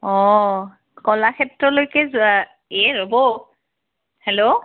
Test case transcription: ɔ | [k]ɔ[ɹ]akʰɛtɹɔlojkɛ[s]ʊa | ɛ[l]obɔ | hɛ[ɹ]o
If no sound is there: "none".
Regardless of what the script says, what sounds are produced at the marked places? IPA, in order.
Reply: k, l, z, ɹ, l

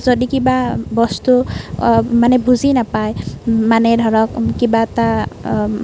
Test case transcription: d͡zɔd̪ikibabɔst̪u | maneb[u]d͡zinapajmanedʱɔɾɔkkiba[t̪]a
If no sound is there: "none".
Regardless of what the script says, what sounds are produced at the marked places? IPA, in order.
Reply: u, t̪

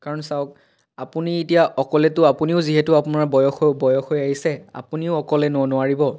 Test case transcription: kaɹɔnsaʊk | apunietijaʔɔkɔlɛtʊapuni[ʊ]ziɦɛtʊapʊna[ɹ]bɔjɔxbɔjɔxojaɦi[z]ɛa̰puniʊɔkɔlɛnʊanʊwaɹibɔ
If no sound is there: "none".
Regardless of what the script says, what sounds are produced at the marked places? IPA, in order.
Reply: ʊ, ɹ, s

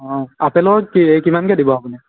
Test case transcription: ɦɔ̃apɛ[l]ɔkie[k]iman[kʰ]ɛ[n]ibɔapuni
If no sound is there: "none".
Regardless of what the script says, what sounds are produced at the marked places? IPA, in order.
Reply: l, k, k, d

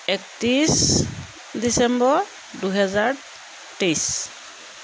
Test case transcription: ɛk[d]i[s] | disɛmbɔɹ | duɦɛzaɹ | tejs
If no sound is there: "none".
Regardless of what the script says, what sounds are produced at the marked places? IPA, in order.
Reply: t, s

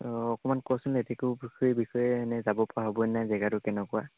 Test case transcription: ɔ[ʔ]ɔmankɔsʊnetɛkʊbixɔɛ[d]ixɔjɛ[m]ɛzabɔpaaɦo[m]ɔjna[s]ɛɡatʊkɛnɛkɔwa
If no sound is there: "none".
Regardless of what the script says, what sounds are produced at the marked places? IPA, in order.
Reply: k, b, n, b, z

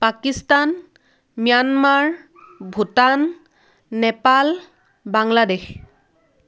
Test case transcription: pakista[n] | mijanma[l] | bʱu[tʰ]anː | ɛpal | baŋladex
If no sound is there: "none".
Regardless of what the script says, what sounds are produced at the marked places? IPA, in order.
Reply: n, ɹ, t

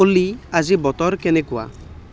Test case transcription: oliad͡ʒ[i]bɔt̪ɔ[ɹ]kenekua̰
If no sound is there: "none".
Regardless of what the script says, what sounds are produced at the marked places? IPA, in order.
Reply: i, ɾ

